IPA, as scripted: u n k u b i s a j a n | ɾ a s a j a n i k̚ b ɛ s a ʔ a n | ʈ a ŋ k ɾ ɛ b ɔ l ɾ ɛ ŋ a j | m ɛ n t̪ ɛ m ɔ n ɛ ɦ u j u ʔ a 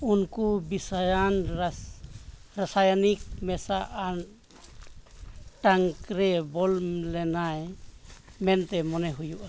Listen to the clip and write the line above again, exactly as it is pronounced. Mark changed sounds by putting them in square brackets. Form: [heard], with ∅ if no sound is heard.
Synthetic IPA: u n k u b i s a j a n | ɾ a s a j a n i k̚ [m] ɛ s a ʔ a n | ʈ a ŋ k ɾ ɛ b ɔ l [l] ɛ [n] a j | m ɛ n t̪ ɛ m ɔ n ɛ ɦ u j u ʔ a